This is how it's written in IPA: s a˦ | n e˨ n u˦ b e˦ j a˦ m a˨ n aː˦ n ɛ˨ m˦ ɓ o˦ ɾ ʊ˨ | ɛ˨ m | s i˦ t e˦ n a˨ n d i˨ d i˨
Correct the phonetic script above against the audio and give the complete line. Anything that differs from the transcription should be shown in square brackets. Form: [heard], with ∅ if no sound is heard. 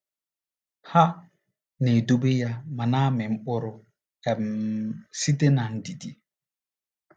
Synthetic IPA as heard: [h] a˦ | n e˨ [d] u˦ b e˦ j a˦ m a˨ n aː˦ [m] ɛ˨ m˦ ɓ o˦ ɾ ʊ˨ | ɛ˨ m | s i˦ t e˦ n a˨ n d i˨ d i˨